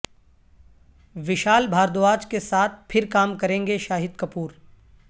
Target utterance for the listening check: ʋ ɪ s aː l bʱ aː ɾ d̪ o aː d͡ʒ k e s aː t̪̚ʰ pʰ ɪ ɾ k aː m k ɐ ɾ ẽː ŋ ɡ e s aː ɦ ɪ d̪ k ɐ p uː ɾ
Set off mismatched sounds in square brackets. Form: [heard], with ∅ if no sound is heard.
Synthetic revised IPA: ʋ ɪ [ʃ] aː l bʱ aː ɾ d̪ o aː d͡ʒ k e s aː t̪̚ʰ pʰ ɪ ɾ k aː m k ɐ ɾ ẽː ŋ ɡ e [ʃ] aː ɦ ɪ d̪ k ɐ p uː ɾ